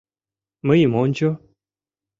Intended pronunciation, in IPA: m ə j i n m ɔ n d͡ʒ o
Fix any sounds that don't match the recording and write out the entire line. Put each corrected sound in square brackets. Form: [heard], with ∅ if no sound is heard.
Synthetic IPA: m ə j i [∅] m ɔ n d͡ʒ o